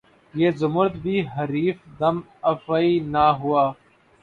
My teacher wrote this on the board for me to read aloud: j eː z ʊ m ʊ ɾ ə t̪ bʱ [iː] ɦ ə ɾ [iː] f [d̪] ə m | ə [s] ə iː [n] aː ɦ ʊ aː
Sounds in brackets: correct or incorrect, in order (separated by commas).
correct, correct, correct, incorrect, correct